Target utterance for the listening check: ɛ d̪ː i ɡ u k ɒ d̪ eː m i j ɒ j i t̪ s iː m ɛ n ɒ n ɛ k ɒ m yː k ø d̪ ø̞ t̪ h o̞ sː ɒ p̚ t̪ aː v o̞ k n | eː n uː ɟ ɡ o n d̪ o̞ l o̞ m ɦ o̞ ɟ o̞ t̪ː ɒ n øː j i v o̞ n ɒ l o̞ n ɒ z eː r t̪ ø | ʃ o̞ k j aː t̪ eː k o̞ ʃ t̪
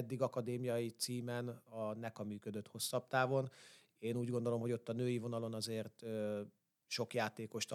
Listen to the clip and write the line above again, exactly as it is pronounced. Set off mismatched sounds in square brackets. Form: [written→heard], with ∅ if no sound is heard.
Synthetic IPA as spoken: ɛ d̪ː i ɡ [u→ɒ] k ɒ d̪ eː m i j ɒ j i t̪ s iː m ɛ n ɒ n ɛ k ɒ m yː k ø d̪ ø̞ t̪ h o̞ sː ɒ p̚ t̪ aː v o̞ [k→∅] n | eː n uː ɟ ɡ o n d̪ o̞ l o̞ m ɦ o̞ ɟ o̞ t̪ː ɒ n øː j i v o̞ n ɒ l o̞ n ɒ z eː r t̪ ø | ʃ o̞ k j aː t̪ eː k o̞ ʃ t̪